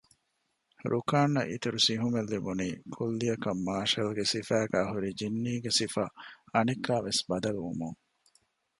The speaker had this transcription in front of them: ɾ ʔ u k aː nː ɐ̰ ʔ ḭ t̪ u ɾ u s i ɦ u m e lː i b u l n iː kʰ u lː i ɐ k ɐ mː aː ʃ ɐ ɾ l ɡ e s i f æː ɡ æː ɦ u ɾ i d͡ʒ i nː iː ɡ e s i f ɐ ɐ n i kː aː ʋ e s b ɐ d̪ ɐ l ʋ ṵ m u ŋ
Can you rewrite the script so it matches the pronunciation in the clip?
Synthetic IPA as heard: ɾ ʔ u k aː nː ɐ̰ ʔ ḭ t̪ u ɾ u s i ɦ u m e lː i b u n iː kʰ u lː i ɐ k ɐ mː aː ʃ ɐ l ɡ e s i f æː ɡ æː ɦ u ɾ i d͡ʒ i nː iː ɡ e s i f ɐ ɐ n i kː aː ʋ e s b ɐ d̪ ɐ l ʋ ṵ m u ŋ